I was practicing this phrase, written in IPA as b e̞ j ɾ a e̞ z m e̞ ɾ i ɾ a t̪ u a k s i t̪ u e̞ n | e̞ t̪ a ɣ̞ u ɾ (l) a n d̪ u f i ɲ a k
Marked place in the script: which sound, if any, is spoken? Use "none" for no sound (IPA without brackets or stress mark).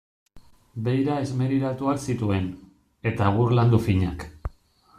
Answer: l